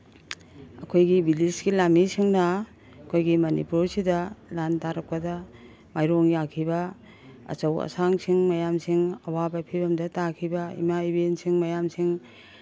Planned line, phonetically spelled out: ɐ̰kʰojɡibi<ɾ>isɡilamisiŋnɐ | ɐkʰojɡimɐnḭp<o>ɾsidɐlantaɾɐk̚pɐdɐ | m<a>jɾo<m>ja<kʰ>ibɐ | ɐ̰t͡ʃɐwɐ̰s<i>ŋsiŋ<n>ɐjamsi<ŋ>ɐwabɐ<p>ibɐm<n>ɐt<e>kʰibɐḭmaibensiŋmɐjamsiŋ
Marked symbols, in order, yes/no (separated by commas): no, no, yes, no, yes, no, no, yes, no, no, no